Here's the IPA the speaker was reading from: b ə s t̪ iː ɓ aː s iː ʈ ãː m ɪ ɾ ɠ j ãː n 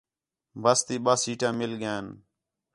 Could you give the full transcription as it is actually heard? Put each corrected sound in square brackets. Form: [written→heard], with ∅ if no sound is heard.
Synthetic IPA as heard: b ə s t̪ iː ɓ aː s iː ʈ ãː m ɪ [ɾ→l] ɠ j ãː n

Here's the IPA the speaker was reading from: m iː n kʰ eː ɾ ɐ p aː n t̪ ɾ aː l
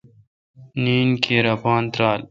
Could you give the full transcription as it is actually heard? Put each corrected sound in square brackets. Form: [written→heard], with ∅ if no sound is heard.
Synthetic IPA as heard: [m→n] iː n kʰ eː ɾ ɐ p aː n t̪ ɾ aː l

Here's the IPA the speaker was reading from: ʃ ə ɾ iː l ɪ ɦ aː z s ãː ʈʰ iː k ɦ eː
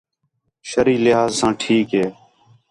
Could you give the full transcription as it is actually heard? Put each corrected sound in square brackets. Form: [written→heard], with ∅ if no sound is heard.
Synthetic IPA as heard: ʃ ə ɾ iː l ɪ ɦ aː z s ãː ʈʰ iː k ɦ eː

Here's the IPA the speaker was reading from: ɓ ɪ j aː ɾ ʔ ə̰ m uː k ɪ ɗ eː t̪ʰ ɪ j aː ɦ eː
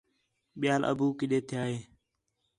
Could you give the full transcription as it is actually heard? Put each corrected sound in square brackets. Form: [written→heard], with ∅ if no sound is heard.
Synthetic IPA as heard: ɓ ɪ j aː [ɾ→l] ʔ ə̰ [m→b] uː k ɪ ɗ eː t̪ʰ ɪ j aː ɦ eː

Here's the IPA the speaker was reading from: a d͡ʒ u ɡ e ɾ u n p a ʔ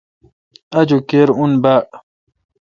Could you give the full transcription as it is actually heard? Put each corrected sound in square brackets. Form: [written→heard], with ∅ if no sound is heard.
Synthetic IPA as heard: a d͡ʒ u [ɡ→k] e ɾ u n [p→b] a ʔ

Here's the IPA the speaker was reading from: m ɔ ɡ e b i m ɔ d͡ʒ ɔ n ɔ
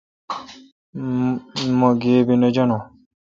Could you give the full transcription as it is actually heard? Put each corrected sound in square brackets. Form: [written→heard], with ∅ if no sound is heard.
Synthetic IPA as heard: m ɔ ɡ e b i [m→n] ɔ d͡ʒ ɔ n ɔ

